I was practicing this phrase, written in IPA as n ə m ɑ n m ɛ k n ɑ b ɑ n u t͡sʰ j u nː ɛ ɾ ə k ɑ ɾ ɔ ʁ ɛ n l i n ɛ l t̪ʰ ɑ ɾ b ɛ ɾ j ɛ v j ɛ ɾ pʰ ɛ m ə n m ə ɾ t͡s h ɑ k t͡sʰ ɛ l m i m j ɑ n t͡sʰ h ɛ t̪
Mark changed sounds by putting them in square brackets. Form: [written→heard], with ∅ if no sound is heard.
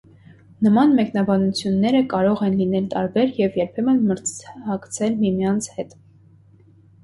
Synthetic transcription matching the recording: n ə m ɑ n m ɛ k n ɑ b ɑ n u t͡sʰ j u nː ɛ ɾ ə k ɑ ɾ ɔ ʁ ɛ n l i n ɛ l [t̪ʰ→t̪] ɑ ɾ b ɛ ɾ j ɛ v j ɛ ɾ pʰ ɛ m ə n m ə ɾ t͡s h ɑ k t͡sʰ ɛ l m i m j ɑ n t͡sʰ h ɛ t̪